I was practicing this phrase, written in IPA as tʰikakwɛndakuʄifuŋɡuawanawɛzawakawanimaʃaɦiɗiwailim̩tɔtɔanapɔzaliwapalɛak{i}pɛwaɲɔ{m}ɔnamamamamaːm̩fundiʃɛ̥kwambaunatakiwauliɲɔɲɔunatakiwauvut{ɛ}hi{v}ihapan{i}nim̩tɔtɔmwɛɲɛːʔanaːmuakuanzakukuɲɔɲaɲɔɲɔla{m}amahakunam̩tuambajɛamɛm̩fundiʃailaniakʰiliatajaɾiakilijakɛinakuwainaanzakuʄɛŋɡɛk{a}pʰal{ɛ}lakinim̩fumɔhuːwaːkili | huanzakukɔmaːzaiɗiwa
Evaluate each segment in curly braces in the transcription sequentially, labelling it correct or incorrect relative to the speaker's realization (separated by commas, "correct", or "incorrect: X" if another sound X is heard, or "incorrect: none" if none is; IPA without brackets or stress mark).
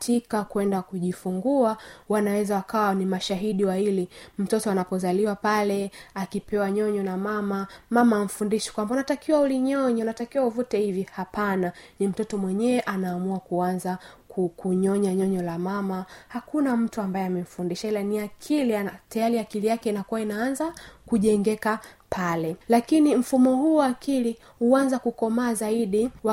correct, incorrect: ɲ, correct, correct, incorrect: a, correct, correct, correct